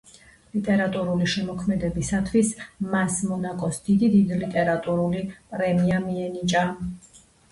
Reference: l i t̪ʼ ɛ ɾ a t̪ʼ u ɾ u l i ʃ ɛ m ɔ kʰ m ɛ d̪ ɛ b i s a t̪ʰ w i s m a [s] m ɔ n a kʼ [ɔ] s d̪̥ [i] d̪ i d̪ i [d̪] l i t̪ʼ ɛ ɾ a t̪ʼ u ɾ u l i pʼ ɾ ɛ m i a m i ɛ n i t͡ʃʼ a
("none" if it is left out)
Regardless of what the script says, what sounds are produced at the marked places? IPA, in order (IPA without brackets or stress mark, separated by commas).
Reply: s, ɔ, i, d̪